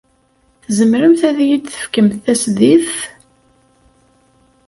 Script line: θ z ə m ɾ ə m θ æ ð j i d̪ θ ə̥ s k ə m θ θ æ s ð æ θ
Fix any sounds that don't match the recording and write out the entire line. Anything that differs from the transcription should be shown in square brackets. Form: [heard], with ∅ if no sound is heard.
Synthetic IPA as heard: θ z ə m ɾ ə m θ æ ð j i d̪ θ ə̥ [f] k ə m θ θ æ s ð [i] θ